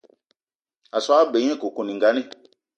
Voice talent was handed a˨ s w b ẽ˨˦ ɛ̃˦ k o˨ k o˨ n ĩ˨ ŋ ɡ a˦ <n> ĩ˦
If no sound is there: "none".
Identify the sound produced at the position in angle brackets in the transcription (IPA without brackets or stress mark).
n